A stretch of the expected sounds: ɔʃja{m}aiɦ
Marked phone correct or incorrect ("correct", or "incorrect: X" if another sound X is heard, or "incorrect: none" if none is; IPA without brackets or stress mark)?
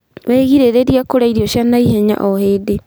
incorrect: n